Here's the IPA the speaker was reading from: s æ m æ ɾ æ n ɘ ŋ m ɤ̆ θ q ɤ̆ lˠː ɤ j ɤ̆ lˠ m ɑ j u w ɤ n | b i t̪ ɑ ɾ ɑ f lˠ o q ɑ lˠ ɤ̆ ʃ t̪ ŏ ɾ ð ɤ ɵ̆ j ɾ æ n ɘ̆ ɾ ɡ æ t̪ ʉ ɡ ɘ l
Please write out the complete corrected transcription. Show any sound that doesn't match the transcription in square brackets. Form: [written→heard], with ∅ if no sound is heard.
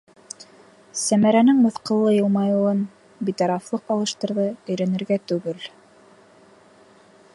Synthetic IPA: s æ m æ ɾ æ n ɘ ŋ m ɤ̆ θ q ɤ̆ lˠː ɤ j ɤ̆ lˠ m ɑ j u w ɤ n | b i t̪ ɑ ɾ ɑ f lˠ [o→ɤ] q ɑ lˠ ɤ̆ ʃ t̪ [ŏ→ɤ̆] ɾ ð ɤ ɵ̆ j ɾ æ n ɘ̆ ɾ ɡ æ t̪ ʉ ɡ ɘ l